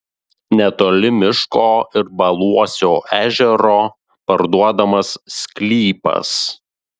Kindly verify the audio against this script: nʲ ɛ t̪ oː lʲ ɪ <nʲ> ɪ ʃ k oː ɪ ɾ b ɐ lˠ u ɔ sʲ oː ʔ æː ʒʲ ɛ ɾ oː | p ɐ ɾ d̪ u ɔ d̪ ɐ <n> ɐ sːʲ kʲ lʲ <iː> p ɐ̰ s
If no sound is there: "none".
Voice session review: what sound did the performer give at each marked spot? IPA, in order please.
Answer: mʲ, m, iː

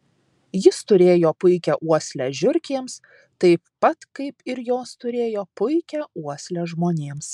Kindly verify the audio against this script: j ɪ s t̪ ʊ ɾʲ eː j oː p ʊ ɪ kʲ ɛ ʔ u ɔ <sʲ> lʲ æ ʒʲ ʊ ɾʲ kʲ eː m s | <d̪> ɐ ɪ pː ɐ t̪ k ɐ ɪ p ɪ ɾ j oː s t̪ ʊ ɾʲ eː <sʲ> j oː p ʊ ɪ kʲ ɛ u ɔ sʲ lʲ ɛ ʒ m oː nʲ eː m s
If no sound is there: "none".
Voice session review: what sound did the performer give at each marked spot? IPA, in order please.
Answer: sʲ, t̪, none

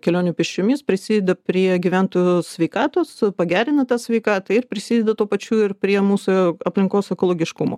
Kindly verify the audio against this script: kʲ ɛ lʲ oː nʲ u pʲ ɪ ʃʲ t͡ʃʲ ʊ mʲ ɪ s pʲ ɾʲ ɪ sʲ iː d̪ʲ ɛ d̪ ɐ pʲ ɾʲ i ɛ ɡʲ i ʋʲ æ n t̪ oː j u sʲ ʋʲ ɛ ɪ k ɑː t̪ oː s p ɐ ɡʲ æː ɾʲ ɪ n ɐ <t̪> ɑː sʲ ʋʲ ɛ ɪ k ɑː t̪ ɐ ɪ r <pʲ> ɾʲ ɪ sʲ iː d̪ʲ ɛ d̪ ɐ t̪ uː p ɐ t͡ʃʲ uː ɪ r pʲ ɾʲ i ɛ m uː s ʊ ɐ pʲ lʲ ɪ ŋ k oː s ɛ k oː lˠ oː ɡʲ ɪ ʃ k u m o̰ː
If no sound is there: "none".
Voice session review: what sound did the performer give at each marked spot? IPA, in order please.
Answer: t̪, pʲ

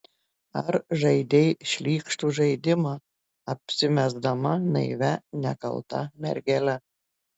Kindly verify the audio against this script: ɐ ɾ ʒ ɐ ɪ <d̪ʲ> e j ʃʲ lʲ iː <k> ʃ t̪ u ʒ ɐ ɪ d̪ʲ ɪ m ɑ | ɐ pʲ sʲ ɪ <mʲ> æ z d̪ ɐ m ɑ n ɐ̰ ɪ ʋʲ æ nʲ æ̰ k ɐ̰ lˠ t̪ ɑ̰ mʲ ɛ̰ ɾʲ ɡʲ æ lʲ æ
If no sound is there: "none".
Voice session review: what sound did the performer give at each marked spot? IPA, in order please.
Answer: d̪ʲ, k, mʲ

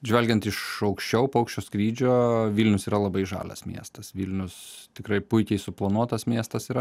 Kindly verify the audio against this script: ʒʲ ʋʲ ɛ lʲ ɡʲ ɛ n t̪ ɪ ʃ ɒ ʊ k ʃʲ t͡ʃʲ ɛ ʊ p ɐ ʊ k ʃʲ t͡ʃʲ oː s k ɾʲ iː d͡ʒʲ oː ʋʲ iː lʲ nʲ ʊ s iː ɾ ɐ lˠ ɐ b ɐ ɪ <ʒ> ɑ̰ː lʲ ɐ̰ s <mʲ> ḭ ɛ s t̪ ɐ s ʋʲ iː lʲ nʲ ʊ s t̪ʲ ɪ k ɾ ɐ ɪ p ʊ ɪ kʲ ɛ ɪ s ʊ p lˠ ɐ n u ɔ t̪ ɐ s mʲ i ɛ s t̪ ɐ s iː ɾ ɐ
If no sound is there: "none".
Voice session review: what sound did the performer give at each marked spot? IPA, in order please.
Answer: ʒ, mʲ

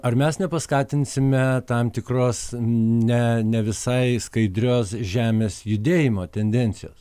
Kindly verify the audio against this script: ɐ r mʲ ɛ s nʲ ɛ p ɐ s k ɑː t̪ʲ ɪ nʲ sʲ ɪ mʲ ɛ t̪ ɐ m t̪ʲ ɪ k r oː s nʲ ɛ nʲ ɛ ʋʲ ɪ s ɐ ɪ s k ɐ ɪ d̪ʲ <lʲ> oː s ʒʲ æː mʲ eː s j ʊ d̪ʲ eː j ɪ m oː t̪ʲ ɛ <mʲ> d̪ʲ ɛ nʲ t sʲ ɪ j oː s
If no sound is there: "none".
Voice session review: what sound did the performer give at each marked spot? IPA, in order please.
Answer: ɾʲ, nʲ

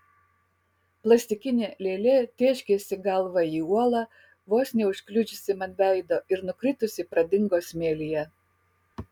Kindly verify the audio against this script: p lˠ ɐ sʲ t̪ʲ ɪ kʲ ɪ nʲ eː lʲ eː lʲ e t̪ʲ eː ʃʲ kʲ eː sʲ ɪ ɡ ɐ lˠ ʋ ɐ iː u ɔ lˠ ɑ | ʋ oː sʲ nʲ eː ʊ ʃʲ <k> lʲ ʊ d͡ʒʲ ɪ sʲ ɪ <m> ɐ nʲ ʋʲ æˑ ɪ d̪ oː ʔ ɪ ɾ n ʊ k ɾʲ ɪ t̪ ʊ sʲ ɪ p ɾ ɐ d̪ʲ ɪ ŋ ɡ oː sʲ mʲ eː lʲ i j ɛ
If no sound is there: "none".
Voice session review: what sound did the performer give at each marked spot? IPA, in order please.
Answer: k, m

